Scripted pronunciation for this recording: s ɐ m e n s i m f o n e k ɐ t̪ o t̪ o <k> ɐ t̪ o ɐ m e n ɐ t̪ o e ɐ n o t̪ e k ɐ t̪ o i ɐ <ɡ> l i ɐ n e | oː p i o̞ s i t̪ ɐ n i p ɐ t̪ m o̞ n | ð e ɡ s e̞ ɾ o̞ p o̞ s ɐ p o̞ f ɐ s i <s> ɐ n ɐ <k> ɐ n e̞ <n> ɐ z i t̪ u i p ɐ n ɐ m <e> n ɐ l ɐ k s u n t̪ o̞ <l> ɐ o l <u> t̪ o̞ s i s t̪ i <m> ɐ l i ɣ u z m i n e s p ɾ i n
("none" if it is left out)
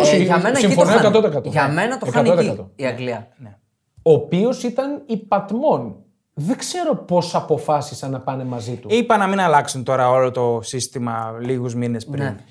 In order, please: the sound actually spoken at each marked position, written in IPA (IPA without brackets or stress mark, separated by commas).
k, ɡ, s, p, m, i, ɾ, o, m